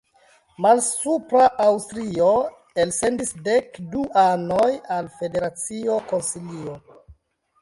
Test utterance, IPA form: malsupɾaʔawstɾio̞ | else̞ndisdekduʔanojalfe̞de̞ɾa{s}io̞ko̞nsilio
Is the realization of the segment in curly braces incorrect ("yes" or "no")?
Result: yes